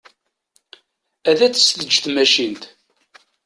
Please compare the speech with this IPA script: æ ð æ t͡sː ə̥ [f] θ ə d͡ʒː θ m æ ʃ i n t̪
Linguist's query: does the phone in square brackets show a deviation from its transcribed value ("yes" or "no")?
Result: yes